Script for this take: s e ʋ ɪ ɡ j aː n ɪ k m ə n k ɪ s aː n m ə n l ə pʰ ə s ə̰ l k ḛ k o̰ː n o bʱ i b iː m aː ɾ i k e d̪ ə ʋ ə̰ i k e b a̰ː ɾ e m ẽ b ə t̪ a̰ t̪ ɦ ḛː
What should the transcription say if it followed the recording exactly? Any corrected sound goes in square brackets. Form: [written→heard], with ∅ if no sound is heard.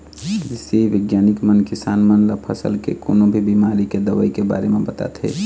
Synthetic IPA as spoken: s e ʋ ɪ ɡ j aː n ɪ k m ə n k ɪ s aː n m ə n l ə pʰ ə s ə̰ l k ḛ k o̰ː n o bʱ i b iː m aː ɾ i k e d̪ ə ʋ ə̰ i k e b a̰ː ɾ e m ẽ b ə t̪ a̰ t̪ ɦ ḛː